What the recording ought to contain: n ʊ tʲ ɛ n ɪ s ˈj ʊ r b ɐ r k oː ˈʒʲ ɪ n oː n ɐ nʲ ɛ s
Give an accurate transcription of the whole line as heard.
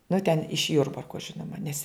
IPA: n ʊ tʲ ɛ n ɪ ʃ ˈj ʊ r b ɐ r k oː ˈʒʲ ɪ n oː m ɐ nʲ ɛ s